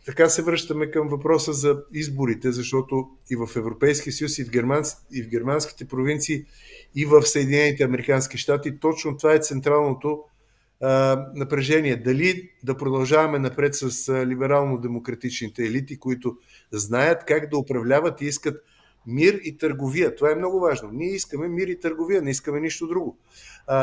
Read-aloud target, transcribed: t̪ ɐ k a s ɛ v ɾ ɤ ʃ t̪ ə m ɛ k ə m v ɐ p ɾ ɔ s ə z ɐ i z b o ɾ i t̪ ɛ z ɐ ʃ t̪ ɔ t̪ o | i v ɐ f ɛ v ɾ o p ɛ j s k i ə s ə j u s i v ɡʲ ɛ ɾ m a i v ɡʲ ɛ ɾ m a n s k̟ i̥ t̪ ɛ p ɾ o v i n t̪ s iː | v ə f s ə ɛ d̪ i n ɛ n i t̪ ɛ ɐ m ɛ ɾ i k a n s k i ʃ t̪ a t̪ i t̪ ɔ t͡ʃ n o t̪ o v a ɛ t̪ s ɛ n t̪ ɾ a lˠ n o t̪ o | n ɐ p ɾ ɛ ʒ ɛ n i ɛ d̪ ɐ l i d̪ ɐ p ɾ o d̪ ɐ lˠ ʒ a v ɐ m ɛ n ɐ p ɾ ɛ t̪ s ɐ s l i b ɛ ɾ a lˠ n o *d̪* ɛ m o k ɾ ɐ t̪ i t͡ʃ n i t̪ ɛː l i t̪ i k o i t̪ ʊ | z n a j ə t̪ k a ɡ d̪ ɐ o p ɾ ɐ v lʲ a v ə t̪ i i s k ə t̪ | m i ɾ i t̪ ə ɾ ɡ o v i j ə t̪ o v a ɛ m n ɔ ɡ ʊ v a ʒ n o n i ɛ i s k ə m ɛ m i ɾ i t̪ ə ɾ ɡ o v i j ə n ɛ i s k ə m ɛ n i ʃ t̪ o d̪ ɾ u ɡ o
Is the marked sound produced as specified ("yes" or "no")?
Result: yes